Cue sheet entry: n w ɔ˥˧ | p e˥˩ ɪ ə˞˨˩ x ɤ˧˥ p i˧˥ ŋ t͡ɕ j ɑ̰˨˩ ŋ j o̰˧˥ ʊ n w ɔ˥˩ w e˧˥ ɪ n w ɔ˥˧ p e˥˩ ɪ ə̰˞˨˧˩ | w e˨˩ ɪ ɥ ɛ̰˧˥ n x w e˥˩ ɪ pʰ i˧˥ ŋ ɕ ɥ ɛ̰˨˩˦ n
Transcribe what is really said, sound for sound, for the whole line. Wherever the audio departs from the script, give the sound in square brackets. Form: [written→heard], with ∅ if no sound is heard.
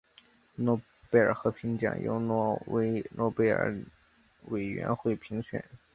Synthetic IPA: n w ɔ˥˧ | p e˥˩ ɪ ə˞˨˩ x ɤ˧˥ [p→pʰ] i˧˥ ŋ t͡ɕ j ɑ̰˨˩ ŋ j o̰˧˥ ʊ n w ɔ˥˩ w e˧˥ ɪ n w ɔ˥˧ p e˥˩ ɪ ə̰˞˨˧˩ | w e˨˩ ɪ ɥ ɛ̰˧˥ n x w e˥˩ ɪ pʰ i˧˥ ŋ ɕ ɥ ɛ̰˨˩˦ n